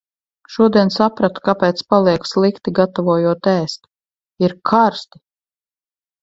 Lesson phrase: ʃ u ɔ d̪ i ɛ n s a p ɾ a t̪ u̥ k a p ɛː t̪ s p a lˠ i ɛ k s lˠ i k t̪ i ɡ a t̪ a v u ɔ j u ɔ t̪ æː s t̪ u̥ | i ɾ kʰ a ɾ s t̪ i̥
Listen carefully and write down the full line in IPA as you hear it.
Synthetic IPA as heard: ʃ u ɔ d̪ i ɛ n s a p ɾ a t̪ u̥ k a p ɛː t̪ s p a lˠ i ɛ k s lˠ i k t̪ i ɡ a t̪ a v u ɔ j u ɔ t̪ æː s t̪ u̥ | i ɾ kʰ a ɾ s t̪ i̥